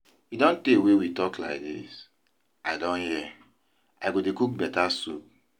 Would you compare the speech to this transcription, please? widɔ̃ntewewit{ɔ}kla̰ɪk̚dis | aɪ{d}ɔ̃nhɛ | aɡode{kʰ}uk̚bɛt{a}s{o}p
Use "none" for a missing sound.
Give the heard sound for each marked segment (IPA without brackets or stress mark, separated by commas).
ɔ, d, k, a, u